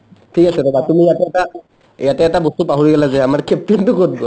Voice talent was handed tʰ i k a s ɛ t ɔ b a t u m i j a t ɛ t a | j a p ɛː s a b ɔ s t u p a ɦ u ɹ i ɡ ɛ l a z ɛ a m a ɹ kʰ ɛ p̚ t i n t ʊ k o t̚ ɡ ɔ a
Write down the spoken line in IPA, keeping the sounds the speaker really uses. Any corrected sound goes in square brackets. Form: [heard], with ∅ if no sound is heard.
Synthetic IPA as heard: tʰ i k a s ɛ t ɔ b a t u m i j a t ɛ t a | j a [t] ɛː [t] a b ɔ s t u p a ɦ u ɹ i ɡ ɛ l a z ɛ a m a ɹ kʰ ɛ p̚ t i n t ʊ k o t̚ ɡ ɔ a